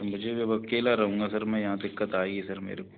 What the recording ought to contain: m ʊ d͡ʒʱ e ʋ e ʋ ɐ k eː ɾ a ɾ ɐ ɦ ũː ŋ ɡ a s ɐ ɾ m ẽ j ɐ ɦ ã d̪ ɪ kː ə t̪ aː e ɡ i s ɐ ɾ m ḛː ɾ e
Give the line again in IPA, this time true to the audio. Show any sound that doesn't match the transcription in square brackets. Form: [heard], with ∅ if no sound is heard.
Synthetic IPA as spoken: m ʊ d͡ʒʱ e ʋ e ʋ ɐ k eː [l] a ɾ ɐ ɦ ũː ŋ ɡ a s ɐ ɾ m [ɛ̃] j ɐ ɦ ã d̪ ɪ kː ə t̪ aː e ɡ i s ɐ ɾ m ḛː ɾ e

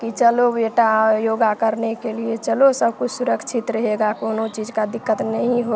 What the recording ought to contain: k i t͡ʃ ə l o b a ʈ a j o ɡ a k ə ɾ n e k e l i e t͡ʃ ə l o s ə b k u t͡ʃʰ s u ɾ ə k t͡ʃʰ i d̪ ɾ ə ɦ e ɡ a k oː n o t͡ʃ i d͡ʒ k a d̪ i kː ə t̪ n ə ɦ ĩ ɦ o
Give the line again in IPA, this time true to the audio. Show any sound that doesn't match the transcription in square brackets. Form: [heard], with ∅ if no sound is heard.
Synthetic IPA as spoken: k i t͡ʃ ə l o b [e] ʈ a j o ɡ a k ə ɾ n e k e l i e t͡ʃ ə l o s ə b k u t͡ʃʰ s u ɾ ə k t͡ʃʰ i [t̪] ɾ ə ɦ e ɡ a k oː n o t͡ʃ i d͡ʒ k a d̪ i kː ə t̪ n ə ɦ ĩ ɦ o

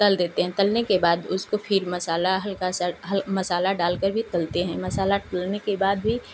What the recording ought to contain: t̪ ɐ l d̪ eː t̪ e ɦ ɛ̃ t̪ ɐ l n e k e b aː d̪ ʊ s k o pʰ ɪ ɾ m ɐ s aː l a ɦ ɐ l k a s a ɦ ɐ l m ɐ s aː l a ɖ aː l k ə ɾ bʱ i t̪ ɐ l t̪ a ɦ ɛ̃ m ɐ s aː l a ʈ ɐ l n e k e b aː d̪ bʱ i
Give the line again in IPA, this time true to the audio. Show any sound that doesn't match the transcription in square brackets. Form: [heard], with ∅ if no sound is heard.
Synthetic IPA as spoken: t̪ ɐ l d̪ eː t̪ e ɦ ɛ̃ t̪ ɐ l n e k e b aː d̪ ʊ s k o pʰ ɪ ɾ m ɐ s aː l a ɦ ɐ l k a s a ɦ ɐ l m ɐ s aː l a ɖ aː l k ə ɾ bʱ i t̪ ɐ l t̪ [e] ɦ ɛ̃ m ɐ s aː l a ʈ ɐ l n e k e b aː d̪ bʱ i

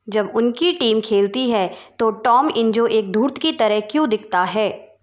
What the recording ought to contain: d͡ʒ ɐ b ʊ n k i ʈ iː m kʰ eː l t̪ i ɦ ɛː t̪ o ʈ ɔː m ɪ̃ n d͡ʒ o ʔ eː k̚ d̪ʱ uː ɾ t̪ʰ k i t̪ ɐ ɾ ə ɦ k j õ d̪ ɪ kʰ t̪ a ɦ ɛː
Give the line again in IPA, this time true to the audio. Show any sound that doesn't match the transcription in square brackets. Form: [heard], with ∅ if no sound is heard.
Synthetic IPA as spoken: d͡ʒ ɐ b ʊ n k i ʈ iː m kʰ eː l t̪ i ɦ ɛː t̪ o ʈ ɔː m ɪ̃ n d͡ʒ o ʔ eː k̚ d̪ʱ uː ɾ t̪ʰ k i t̪ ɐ ɾ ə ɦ k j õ d̪ ɪ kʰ t̪ a ɦ ɛː

